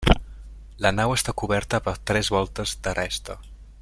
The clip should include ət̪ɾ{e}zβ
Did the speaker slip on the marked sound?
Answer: yes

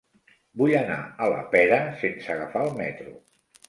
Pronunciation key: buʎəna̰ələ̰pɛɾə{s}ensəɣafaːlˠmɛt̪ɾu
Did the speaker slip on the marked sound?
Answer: no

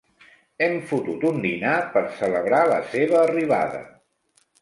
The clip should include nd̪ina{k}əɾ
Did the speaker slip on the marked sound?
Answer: yes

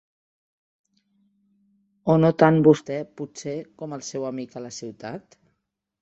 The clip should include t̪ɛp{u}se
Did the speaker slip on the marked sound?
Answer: no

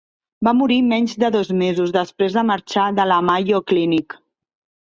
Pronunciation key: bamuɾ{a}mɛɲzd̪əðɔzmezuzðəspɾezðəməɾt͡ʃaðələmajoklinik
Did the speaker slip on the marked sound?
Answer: yes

